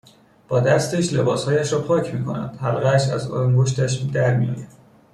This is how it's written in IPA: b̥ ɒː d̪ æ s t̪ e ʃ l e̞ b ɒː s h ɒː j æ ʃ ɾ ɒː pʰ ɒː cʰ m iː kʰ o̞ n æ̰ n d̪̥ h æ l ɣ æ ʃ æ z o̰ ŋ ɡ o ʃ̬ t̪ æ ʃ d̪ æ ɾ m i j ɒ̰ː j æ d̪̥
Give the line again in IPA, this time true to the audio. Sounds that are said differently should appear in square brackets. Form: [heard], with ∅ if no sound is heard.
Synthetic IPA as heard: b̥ ɒː d̪ æ s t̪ e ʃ l e̞ b ɒː s h ɒː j æ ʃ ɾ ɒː pʰ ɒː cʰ m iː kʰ o̞ n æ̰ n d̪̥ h æ l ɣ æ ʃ æ z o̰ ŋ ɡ o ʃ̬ t̪ æ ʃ d̪ æ ɾ m i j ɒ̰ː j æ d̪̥